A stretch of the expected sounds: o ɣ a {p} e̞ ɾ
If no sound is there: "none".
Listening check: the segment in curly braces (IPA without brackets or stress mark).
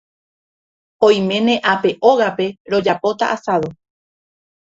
p